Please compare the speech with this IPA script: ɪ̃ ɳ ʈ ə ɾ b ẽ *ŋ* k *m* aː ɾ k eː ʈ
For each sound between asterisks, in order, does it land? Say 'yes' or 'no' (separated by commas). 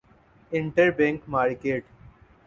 yes, yes